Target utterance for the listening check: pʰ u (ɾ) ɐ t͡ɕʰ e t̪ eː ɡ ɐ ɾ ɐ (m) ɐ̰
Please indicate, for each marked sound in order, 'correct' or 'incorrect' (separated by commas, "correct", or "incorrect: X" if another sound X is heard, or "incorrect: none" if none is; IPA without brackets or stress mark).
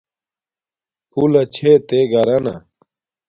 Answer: incorrect: l, incorrect: n